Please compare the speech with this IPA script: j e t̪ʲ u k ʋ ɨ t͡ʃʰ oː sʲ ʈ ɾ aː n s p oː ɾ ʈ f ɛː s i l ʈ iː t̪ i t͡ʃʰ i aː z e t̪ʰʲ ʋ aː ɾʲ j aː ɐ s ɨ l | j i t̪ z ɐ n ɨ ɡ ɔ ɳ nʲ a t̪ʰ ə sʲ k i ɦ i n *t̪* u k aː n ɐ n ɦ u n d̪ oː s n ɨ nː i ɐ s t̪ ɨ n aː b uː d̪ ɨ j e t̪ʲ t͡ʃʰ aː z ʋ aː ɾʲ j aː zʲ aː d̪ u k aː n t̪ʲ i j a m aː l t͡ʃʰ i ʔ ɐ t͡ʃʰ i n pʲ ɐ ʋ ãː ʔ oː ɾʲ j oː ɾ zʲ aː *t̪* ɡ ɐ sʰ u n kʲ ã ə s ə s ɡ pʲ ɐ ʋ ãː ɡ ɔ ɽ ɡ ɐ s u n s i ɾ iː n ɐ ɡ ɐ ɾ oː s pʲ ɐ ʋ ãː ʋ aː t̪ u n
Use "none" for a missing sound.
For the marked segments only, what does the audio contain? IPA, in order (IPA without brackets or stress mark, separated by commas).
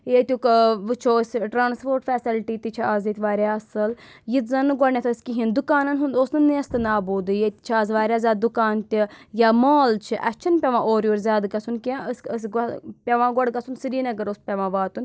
d̪, d̪